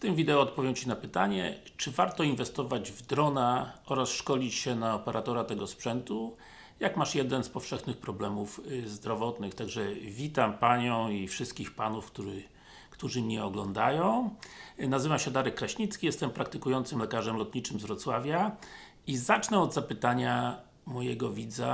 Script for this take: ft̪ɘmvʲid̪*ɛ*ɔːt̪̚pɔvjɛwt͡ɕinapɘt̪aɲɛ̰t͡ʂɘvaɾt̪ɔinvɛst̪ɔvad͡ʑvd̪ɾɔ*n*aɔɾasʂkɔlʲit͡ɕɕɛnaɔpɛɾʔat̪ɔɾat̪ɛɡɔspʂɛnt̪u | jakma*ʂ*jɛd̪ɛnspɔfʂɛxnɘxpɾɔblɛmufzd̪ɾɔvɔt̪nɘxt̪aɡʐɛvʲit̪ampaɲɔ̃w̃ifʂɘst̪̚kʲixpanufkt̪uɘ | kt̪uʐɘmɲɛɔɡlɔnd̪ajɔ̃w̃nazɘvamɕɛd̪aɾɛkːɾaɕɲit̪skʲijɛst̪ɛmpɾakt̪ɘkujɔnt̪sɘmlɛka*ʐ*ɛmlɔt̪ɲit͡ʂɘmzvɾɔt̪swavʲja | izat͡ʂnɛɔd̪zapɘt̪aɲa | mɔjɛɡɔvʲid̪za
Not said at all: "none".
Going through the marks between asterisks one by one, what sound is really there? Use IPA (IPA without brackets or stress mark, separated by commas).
ɛ, n, ʂ, ʐ